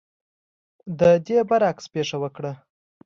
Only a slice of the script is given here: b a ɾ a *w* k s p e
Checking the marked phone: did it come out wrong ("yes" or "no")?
yes